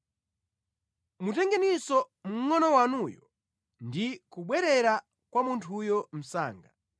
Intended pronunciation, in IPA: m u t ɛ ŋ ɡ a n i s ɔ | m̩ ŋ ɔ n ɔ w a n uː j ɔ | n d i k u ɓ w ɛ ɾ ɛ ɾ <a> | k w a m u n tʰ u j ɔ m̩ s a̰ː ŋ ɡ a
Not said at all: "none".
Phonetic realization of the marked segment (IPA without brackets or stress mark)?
a